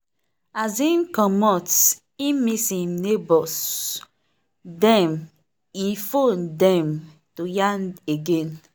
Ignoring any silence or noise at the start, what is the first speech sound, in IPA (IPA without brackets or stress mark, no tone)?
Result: a